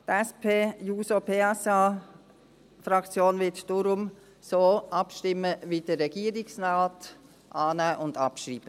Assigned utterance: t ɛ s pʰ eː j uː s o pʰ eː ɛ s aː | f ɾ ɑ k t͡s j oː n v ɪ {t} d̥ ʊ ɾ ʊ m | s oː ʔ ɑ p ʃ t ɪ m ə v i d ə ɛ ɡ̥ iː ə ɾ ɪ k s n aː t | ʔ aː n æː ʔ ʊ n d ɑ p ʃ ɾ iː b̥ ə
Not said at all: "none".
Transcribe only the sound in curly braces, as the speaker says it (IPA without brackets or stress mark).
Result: t